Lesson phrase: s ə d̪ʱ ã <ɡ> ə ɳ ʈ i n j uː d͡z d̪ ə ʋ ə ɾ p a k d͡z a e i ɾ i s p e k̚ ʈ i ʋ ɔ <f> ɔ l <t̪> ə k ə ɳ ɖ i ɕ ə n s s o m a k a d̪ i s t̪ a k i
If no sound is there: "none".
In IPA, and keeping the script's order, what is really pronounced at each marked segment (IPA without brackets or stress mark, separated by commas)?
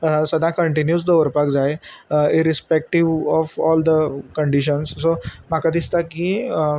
k, f, d̪